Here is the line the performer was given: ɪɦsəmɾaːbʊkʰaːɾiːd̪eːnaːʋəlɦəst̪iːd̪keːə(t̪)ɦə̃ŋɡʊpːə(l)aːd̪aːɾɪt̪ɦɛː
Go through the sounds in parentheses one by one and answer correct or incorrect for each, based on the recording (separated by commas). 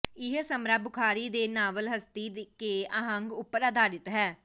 incorrect, incorrect